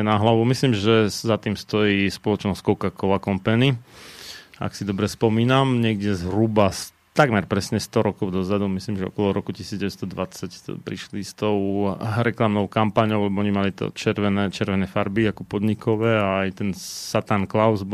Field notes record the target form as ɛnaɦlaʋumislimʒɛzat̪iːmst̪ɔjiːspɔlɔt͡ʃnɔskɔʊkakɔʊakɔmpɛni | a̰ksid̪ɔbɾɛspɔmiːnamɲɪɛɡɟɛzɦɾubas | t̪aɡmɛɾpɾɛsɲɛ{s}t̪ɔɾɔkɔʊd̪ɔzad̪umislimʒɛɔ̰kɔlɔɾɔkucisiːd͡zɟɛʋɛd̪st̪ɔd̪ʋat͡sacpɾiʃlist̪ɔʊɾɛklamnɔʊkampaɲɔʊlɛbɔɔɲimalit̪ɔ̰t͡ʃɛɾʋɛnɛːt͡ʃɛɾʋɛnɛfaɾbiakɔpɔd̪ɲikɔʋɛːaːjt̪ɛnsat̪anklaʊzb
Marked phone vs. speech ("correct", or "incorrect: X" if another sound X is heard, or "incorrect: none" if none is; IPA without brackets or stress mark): correct